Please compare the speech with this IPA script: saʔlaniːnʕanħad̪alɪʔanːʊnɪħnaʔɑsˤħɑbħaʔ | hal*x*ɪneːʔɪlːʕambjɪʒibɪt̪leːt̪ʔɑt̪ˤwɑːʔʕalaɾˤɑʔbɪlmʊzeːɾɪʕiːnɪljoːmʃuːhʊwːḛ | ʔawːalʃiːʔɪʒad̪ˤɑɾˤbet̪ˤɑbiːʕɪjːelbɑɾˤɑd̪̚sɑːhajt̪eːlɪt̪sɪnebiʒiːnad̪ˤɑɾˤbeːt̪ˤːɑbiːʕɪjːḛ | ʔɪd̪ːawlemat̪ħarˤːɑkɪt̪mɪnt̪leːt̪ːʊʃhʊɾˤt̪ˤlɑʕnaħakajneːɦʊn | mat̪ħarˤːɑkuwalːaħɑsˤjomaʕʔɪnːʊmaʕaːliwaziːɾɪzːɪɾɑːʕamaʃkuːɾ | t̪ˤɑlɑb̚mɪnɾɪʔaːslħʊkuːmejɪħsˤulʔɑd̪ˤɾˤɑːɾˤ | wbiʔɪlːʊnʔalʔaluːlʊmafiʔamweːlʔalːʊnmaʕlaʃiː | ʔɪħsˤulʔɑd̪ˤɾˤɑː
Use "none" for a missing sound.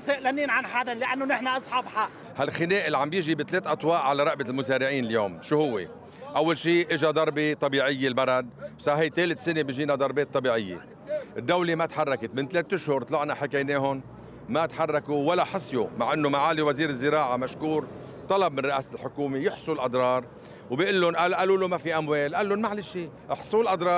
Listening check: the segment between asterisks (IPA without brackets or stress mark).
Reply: x